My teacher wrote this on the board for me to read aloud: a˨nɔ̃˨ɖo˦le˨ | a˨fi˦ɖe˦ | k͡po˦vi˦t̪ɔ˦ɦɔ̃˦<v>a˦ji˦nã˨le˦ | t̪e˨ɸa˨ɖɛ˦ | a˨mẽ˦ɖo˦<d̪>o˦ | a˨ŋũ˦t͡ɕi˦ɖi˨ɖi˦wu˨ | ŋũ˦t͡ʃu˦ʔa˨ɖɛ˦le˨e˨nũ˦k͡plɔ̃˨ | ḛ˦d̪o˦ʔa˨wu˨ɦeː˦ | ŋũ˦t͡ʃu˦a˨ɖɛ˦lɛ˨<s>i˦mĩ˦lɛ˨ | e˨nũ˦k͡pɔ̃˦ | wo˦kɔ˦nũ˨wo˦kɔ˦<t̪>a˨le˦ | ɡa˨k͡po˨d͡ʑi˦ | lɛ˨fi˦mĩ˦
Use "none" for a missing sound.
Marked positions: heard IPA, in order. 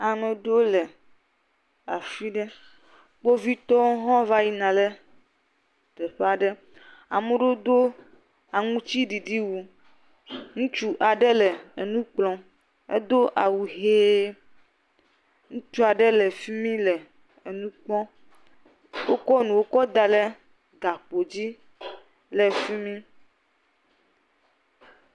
v, d̪, f, d̪

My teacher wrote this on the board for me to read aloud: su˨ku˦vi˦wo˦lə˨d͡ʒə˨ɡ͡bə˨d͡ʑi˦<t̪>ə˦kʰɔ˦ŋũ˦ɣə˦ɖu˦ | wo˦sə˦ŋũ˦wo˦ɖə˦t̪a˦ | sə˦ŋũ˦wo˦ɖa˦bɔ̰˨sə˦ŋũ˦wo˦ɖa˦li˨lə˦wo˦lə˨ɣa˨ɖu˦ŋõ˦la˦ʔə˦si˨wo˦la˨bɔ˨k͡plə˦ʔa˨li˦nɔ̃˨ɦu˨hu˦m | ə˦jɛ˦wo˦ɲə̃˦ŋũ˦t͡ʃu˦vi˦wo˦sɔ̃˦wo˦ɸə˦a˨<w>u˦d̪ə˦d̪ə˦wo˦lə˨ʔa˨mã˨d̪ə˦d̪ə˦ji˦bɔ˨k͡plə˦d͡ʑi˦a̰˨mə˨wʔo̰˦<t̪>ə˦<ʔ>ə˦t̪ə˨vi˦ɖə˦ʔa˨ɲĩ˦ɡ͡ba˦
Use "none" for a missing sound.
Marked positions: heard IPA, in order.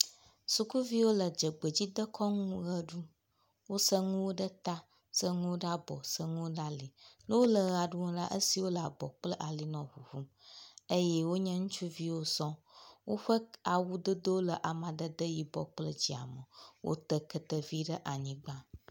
d̪, w, t̪, k

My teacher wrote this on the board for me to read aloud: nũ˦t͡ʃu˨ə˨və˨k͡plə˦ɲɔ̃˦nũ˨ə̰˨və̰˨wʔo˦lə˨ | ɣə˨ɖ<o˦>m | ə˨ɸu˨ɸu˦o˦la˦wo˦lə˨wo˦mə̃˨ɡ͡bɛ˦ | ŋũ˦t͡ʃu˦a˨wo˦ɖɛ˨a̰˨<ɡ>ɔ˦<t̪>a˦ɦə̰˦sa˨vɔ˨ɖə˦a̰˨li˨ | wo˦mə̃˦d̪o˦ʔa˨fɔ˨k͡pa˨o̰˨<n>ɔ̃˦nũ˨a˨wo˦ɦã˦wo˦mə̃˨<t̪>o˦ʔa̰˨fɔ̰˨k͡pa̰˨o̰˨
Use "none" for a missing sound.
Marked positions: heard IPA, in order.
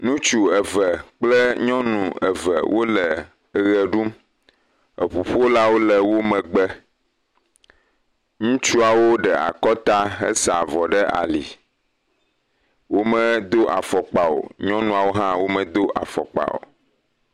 u˦, k, t̪, ɲ, d̪

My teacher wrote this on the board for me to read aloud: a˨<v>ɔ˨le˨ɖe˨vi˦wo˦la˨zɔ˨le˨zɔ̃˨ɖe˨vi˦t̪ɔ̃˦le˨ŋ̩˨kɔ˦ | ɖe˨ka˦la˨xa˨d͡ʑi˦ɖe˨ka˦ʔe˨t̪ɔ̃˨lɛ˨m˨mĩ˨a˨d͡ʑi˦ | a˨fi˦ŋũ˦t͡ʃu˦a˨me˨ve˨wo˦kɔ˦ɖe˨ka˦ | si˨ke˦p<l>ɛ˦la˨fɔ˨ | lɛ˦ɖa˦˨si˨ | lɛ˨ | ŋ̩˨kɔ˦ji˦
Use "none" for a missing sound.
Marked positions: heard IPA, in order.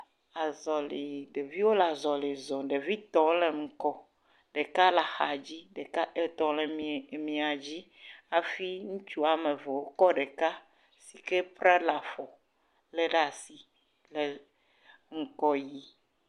z, ɾ

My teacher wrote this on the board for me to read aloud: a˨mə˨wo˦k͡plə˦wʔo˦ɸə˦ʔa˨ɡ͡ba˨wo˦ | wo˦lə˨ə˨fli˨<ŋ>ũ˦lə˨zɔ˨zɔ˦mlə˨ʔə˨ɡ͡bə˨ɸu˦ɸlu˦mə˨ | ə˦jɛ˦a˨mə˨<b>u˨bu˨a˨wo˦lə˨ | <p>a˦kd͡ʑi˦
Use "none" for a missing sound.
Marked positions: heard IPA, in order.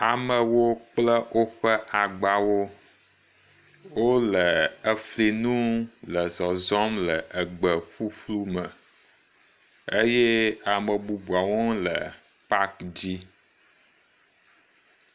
n, b, p

